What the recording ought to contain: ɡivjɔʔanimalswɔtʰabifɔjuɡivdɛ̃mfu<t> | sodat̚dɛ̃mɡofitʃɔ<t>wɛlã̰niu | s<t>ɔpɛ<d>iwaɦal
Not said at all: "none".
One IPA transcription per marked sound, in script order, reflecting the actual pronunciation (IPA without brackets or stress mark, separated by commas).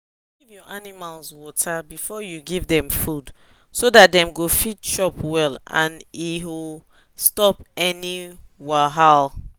d, p, t, n